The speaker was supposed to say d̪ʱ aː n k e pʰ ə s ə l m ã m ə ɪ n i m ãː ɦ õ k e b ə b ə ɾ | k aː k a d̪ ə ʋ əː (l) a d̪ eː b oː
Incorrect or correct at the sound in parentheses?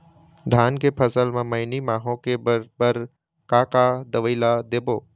correct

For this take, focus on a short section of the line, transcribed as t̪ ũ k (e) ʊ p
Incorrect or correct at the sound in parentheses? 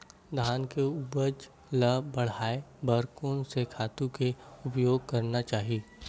correct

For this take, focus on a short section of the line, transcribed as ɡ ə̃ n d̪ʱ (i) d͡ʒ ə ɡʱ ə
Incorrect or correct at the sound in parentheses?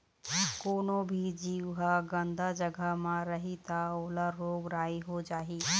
incorrect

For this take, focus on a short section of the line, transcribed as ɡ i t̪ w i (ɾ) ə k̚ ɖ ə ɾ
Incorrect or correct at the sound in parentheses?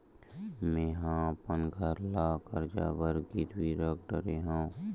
correct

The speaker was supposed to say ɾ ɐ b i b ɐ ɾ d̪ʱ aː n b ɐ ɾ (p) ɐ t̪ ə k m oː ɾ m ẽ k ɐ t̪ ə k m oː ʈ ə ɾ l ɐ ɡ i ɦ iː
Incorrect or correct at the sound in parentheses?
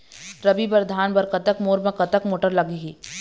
incorrect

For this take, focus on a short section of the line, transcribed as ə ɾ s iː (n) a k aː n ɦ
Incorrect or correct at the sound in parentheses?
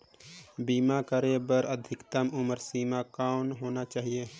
incorrect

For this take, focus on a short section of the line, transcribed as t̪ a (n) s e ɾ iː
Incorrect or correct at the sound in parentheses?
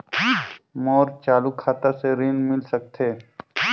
incorrect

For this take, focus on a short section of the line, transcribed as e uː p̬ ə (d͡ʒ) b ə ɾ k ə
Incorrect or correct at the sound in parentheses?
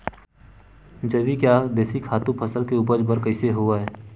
correct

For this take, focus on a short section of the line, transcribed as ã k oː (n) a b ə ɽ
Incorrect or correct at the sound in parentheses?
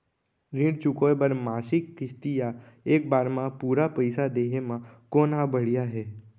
correct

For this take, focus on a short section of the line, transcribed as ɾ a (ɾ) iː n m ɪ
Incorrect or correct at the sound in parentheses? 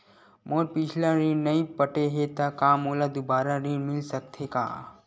correct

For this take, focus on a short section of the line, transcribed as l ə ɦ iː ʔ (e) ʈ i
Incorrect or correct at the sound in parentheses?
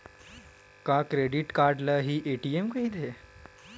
correct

